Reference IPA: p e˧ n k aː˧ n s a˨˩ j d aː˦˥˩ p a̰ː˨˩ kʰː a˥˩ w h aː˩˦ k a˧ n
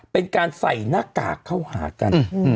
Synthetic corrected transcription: p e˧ n k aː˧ n s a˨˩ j n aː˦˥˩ k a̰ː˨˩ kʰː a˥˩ w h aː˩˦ k a˧ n

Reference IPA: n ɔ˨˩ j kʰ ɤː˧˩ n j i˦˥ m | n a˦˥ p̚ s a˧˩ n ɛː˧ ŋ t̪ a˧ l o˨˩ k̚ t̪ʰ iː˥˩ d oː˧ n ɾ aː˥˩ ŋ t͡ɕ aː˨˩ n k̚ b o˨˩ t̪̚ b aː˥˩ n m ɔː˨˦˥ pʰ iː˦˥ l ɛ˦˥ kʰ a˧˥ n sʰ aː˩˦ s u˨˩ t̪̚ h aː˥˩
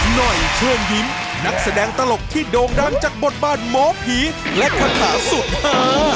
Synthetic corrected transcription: n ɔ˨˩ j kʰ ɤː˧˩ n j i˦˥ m | n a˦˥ k̚ s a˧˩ d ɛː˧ ŋ t̪ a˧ l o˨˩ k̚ t̪ʰ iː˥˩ d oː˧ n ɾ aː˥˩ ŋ t͡ɕ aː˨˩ k̚ b o˨˩ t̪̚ b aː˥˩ n m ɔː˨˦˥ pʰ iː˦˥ l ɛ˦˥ kʰ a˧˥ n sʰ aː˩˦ s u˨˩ t̪̚ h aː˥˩

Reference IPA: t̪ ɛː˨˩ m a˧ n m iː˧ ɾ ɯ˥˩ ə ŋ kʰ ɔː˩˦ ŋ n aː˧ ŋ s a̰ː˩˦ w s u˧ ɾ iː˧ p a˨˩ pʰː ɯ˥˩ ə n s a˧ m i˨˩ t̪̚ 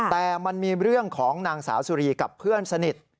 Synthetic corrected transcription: t̪ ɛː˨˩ m a˧ n m iː˧ ɾ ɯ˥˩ ə ŋ kʰ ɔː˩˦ ŋ n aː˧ ŋ s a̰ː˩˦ w s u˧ ɾ iː˧ k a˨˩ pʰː ɯ˥˩ ə n s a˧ n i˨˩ t̪̚

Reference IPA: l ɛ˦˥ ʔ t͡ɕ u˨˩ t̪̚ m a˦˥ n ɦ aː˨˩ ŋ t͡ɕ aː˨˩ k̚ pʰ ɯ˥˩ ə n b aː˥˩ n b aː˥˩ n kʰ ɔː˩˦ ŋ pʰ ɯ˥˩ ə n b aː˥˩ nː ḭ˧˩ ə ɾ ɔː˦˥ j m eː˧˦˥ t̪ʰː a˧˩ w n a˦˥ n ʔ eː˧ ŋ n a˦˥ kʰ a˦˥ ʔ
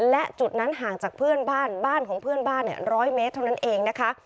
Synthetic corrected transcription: l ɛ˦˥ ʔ t͡ɕ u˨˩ t̪̚ n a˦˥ n ɦ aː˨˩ ŋ t͡ɕ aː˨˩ k̚ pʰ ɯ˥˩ ə n b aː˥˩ n b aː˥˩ n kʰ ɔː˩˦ ŋ pʰ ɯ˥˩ ə n b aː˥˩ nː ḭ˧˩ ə ɾ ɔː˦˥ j m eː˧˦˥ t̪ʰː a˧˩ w n a˦˥ n ʔ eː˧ ŋ n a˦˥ kʰ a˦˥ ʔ

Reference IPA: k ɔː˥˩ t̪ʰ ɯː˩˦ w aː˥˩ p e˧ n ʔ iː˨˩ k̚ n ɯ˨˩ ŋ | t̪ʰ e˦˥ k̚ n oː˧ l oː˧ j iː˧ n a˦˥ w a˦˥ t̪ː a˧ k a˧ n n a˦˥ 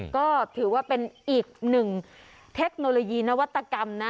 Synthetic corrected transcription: k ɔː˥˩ t̪ʰ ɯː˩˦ w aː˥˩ p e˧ n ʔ iː˨˩ k̚ n ɯ˨˩ ŋ | t̪ʰ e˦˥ k̚ n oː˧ l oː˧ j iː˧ n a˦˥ w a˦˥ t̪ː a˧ k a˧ m n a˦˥

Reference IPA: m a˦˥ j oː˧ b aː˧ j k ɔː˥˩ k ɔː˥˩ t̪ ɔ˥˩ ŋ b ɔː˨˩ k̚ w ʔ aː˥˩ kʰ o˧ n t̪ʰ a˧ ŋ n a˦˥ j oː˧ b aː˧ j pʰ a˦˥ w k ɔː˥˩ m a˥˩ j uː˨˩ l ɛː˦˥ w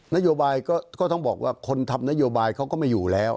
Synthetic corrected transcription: n a˦˥ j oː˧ b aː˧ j k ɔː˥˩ k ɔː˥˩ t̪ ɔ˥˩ ŋ b ɔː˨˩ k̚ w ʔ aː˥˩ kʰ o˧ n t̪ʰ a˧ m n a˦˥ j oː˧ b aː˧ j kʰ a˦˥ w k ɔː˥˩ m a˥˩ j uː˨˩ l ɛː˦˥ w

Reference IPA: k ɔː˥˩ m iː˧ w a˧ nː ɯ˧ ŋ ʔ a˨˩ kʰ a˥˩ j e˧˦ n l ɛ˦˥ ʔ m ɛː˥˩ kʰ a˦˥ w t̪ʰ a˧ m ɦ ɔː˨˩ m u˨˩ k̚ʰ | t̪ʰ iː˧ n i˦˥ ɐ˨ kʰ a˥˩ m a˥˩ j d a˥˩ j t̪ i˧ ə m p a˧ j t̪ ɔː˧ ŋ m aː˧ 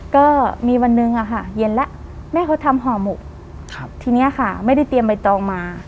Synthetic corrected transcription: k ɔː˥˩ m iː˧ w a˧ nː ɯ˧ ŋ ʔ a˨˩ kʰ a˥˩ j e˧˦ n l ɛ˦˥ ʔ m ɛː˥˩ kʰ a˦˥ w t̪ʰ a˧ m ɦ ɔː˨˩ m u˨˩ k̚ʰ | t̪ʰ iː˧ n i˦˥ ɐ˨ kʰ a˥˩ m a˥˩ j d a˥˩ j t̪ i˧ ə m p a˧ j t̪ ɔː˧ ŋ m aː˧

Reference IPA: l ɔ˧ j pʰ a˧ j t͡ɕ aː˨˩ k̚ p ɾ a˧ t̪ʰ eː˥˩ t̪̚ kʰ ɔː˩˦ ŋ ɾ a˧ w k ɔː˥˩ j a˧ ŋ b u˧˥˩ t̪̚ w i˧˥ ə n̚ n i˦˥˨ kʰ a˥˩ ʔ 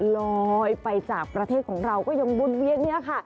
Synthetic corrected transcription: l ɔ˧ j p a˧ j t͡ɕ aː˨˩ k̚ p ɾ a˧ t̪ʰ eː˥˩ t̪̚ kʰ ɔː˩˦ ŋ ɾ a˧ w k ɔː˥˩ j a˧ ŋ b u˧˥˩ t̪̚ w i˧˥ ə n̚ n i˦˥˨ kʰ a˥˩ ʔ

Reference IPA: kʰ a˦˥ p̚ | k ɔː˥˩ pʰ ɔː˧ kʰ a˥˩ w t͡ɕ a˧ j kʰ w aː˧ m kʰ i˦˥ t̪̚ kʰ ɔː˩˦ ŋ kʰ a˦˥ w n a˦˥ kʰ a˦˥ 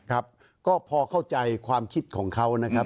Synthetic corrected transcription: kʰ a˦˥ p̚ | k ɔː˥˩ pʰ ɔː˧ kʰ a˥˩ w t͡ɕ a˧ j kʰ w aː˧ m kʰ i˦˥ t̪̚ kʰ ɔː˩˦ ŋ kʰ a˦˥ w n a˦˥ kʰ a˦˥

